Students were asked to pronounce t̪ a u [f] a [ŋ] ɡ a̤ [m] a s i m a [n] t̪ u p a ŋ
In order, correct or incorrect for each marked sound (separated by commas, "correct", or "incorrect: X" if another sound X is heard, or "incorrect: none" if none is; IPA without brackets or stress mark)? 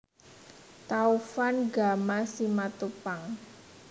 correct, incorrect: n, correct, incorrect: none